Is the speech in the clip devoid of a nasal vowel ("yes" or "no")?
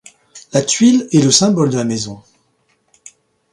no